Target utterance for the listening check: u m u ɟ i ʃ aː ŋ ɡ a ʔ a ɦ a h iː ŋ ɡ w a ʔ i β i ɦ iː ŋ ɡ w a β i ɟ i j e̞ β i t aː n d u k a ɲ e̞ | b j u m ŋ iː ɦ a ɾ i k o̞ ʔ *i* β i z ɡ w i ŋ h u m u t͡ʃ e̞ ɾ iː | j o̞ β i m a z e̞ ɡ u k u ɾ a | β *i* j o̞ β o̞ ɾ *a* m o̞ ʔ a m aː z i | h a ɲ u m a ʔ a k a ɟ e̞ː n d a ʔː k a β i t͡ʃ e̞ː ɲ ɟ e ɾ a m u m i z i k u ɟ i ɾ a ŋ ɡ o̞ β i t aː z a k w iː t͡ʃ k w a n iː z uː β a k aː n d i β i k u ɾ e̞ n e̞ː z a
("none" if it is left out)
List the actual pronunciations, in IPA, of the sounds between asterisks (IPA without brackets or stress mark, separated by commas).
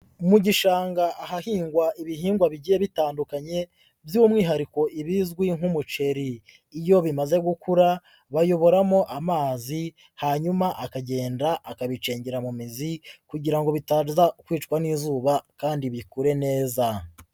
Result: i, a, a